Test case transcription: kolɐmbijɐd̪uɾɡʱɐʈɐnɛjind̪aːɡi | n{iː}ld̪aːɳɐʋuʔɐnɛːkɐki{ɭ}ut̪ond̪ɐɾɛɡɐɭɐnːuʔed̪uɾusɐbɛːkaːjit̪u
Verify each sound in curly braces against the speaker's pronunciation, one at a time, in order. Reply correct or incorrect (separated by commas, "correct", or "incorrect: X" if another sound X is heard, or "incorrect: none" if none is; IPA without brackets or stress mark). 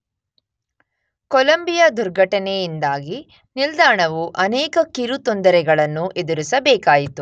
incorrect: i, incorrect: ɾ